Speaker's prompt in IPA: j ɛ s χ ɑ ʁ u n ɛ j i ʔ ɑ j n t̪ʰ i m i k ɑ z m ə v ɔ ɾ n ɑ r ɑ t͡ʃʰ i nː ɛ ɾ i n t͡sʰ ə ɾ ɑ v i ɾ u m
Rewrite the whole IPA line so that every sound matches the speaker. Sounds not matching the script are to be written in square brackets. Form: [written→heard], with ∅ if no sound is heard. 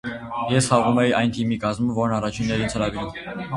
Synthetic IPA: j ɛ s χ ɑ ʁ u [n→m] ɛ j i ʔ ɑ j n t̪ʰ i m i k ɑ z m ə v ɔ ɾ n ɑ r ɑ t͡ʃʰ i nː ɛ ɾ i n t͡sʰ ə ɾ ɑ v i ɾ u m